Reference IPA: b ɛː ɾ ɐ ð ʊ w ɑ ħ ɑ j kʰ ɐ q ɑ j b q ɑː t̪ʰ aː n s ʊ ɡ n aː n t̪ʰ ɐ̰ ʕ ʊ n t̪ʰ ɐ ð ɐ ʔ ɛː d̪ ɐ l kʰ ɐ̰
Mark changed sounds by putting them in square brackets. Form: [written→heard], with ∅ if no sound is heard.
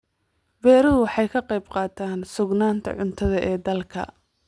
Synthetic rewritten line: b ɛː ɾ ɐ ð ʊ w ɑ ħ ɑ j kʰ ɐ q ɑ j b q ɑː t̪ʰ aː n s ʊ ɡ n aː n t̪ʰ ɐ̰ ʕ ʊ n t̪ʰ ɐ ð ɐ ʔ ɛː d̪ ɐ l kʰ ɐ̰